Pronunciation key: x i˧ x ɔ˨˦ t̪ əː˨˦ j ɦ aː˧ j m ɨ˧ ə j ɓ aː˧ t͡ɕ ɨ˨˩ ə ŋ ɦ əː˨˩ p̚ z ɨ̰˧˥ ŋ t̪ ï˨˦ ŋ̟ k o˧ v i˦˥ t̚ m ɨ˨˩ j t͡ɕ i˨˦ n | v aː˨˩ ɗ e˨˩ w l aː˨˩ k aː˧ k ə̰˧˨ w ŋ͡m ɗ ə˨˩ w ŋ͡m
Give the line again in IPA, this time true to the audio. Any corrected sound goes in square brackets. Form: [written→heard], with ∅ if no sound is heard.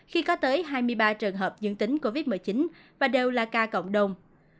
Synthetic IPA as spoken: x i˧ [x→k] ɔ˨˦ t̪ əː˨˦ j ɦ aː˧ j m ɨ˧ ə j ɓ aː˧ t͡ɕ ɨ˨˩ ə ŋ ɦ əː˨˩ p̚ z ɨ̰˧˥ ŋ t̪ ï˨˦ ŋ̟ k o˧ v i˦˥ t̚ m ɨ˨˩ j t͡ɕ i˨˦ n | v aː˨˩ ɗ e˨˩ w l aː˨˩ k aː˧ k ə̰˧˨ w ŋ͡m ɗ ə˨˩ w ŋ͡m